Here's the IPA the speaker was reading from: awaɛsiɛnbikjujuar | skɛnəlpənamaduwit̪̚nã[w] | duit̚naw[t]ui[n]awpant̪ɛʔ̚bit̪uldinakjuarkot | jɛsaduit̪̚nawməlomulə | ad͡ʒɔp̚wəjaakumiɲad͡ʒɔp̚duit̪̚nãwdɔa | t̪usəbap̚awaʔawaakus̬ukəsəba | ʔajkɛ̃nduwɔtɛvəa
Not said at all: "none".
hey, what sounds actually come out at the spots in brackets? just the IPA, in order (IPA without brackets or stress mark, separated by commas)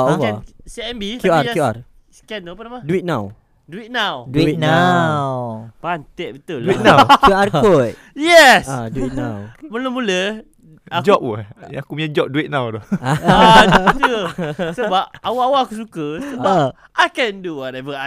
w, d, n